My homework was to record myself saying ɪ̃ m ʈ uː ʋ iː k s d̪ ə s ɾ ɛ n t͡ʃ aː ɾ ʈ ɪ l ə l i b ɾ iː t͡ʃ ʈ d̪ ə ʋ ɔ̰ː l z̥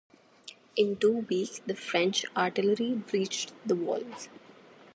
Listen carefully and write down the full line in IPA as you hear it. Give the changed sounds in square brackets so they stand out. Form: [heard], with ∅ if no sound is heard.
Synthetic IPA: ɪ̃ [n] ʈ uː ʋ iː k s d̪ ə [f] ɾ [ɛ̃] n t͡ʃ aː ɾ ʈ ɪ l ə [ɾ] i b ɾ iː t͡ʃ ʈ d̪ ə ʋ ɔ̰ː l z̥